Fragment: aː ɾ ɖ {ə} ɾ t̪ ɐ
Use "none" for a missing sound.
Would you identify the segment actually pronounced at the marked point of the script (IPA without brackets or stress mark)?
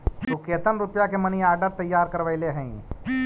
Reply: ə